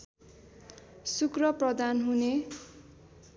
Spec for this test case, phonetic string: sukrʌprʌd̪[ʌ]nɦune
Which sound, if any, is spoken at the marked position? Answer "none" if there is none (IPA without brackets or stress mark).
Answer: a